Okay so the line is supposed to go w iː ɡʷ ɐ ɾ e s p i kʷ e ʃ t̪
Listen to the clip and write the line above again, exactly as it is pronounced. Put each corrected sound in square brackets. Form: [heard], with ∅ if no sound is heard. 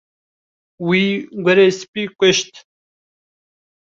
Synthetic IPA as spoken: w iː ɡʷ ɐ ɾ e s p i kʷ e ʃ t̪